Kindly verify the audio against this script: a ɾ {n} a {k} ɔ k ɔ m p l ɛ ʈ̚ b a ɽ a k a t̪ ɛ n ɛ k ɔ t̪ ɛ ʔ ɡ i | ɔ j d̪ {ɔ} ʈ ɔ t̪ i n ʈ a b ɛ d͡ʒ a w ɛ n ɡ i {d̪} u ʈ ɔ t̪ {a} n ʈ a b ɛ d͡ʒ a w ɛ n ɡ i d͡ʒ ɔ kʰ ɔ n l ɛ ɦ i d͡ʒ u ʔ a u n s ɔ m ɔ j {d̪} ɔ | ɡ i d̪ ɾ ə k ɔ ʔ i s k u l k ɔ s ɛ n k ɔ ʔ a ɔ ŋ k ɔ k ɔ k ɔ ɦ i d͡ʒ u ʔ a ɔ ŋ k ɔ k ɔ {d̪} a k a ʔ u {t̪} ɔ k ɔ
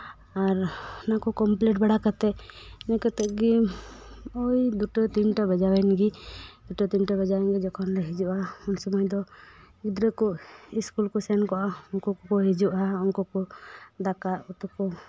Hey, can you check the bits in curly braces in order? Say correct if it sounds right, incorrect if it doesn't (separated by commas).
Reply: correct, correct, incorrect, correct, incorrect, correct, correct, correct